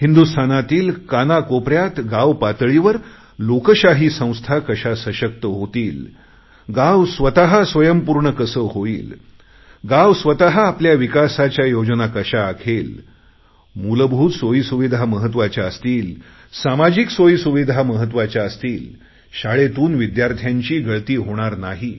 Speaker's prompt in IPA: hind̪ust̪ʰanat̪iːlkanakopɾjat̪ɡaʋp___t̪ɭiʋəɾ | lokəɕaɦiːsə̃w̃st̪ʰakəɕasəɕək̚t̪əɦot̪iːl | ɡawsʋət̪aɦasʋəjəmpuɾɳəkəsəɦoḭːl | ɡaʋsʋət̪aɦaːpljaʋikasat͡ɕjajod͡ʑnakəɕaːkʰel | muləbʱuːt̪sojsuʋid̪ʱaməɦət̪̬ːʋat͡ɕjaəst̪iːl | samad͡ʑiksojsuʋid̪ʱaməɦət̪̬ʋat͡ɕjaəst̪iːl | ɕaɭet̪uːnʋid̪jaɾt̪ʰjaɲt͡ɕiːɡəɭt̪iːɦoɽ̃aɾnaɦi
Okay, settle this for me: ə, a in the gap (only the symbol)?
a